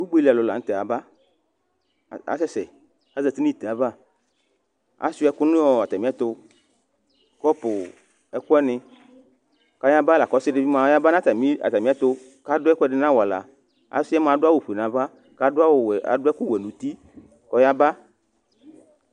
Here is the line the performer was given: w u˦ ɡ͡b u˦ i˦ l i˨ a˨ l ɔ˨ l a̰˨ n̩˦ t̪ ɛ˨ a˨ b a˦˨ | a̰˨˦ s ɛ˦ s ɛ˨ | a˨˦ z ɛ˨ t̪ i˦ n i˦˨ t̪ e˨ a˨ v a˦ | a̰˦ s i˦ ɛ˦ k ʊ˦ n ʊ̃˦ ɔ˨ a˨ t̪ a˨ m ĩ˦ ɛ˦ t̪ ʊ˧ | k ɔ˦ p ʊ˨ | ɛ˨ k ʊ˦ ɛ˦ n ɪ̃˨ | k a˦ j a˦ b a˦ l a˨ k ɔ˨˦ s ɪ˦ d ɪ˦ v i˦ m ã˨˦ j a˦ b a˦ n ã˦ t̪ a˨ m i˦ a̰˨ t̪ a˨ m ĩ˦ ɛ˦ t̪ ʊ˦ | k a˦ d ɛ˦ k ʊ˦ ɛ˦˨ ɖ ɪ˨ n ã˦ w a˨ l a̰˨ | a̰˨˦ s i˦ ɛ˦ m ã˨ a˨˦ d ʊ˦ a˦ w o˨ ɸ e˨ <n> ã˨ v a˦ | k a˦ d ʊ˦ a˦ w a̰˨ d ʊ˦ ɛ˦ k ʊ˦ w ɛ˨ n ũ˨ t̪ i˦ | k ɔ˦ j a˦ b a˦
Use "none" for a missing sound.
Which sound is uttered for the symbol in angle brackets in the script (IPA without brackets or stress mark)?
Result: n